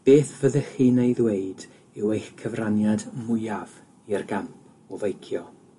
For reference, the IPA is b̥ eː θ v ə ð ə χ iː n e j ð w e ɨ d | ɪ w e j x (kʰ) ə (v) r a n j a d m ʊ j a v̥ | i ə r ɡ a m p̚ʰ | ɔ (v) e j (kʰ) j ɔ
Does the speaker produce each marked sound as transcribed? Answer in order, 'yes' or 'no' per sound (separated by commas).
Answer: yes, yes, yes, yes